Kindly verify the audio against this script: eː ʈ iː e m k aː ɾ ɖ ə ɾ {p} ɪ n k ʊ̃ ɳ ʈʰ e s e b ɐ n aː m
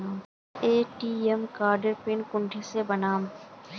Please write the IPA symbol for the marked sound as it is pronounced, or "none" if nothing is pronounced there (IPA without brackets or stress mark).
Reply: p